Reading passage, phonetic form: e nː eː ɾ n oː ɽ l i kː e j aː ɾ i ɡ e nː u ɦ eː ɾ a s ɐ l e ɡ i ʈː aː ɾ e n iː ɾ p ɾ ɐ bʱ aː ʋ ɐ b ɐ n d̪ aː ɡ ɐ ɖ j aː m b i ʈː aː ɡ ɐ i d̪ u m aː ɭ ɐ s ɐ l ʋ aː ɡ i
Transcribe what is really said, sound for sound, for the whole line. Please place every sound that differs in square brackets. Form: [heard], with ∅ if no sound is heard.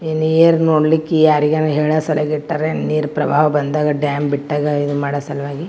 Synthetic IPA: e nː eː ɾ n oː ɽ l i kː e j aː ɾ i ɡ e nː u ɦ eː [ɭ] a s ɐ l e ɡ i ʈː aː ɾ e n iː ɾ p ɾ ɐ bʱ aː ʋ ɐ b ɐ n d̪ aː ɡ ɐ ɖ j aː m b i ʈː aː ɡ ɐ i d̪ u m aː [ɽ] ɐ s ɐ l ʋ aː ɡ i